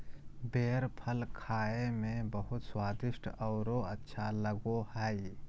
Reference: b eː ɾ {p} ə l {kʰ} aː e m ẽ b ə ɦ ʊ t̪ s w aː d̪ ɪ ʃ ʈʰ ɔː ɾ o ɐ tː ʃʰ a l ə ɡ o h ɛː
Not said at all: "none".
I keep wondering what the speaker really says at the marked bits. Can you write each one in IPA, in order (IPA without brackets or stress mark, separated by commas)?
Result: pʰ, kʰ